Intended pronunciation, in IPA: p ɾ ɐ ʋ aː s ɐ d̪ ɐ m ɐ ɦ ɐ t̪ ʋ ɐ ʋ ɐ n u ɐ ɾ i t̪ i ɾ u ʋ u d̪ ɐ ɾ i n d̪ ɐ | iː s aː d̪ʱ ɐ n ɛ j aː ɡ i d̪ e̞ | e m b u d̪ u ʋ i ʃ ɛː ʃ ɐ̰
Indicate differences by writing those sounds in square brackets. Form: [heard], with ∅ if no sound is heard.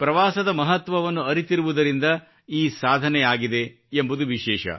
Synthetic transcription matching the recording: p ɾ ɐ ʋ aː s ɐ d̪ ɐ m ɐ ɦ ɐ t̪ ʋ ɐ ʋ ɐ [nː] u ɐ ɾ i t̪ i ɾ u ʋ u d̪ ɐ ɾ i n d̪ ɐ | iː s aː d̪ʱ ɐ n ɛ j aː ɡ i d̪ e̞ | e m b u d̪ u ʋ i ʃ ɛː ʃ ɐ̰